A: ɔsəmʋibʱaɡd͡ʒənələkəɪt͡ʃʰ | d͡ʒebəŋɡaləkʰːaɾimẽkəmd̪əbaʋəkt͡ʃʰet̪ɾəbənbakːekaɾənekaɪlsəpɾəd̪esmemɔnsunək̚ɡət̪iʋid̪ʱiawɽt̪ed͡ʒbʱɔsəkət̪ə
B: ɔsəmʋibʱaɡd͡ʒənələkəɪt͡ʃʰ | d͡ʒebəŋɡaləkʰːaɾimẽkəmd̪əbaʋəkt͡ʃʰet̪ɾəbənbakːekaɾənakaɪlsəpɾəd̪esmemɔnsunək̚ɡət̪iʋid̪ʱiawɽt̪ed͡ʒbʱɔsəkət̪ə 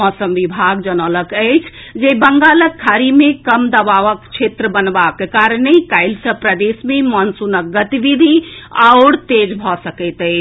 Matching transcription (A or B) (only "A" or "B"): A